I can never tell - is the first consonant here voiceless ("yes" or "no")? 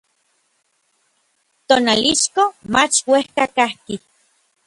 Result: yes